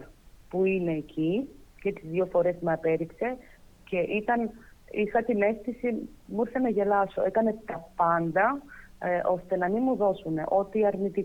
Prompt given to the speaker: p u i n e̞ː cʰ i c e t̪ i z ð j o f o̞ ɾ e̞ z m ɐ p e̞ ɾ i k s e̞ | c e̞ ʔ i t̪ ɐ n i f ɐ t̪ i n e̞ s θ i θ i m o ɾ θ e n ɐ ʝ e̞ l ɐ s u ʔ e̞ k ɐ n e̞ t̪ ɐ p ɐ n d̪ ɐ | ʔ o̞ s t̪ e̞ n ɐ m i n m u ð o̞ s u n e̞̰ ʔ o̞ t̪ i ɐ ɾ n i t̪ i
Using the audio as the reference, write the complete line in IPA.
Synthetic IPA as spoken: p u i n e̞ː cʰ i c e t̪ i z ð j o f o̞ ɾ e̞ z m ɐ p e̞ ɾ i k s e̞ | c e̞ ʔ i t̪ ɐ n i x ɐ t̪ i n e̞ s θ i s i m u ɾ θ e n ɐ ʝ e̞ l ɐ s o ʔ e̞ k ɐ n e̞ t̪ ɐ p ɐ n d̪ ɐ | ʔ o̞ s t̪ e̞ n ɐ m i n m u ð o̞ s u n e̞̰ ʔ o̞ t̪ i ɐ ɾ n i t̪ i